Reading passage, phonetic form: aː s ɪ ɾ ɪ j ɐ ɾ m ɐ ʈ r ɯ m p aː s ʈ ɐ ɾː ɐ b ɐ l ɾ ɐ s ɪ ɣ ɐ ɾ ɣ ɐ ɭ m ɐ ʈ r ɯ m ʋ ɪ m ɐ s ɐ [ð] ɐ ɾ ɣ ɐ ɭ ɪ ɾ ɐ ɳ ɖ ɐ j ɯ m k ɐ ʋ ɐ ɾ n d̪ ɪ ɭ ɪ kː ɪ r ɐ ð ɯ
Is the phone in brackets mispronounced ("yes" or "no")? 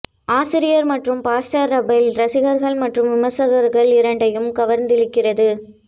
yes